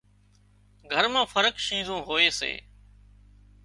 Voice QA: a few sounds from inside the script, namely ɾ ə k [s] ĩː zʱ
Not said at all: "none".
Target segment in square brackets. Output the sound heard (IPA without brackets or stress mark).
ʃ